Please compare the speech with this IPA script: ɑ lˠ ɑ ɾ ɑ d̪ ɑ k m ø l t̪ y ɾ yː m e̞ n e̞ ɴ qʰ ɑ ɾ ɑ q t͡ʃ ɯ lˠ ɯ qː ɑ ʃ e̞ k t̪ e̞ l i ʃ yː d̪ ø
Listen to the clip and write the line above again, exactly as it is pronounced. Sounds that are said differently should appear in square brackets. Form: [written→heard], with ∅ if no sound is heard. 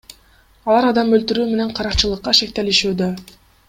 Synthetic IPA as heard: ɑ lˠ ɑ ɾ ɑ d̪ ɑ [k→∅] m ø l t̪ y ɾ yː m e̞ n e̞ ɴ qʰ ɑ ɾ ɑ q t͡ʃ ɯ lˠ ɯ qː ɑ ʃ e̞ k t̪ e̞ l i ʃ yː d̪ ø